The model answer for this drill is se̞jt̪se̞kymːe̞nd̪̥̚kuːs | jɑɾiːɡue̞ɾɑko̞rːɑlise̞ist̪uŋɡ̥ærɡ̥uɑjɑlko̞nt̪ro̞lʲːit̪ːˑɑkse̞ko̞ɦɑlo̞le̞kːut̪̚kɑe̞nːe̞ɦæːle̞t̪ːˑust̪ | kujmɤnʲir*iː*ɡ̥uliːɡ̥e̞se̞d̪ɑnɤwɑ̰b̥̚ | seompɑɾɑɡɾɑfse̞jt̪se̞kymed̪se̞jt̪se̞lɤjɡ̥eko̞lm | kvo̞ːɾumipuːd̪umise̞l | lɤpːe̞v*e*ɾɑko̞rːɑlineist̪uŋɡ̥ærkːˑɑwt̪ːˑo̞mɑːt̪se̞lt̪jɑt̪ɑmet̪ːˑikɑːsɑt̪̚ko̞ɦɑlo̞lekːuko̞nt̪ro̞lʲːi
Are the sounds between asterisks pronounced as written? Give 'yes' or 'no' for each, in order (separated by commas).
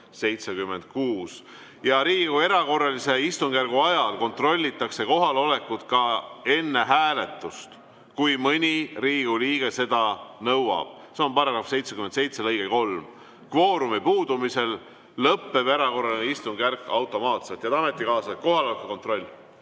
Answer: yes, yes